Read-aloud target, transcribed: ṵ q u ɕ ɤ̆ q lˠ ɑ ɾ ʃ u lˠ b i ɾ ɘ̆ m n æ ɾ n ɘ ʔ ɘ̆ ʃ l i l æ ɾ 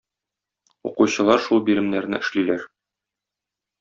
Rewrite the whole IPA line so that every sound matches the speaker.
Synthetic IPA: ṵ q u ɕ ɤ̆ lˠ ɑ ɾ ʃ u lˠ b i ɾ ɘ̆ m n æ ɾ n ɘ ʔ ɘ̆ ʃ l i l æ ɾ

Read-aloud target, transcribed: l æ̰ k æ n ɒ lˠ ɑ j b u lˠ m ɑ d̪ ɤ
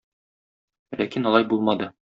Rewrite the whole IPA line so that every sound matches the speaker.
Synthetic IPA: l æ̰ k i n ɒ lˠ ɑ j b u lˠ m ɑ d̪ ɤ

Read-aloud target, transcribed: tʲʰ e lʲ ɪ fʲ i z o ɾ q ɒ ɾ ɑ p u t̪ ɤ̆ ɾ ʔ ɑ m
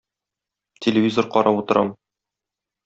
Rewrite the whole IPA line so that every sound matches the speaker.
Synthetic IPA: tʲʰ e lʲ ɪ vʲ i z o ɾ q ɒ ɾ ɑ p u t̪ ɤ̆ ɾ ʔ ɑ m

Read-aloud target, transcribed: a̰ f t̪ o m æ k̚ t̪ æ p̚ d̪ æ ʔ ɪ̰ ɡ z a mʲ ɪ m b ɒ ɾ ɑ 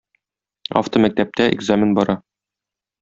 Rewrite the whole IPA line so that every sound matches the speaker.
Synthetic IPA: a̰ f t̪ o m æ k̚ t̪ æ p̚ t̪ æ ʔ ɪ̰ ɡ z a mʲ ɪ n b ɒ ɾ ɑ

